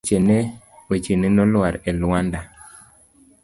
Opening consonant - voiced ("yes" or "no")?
no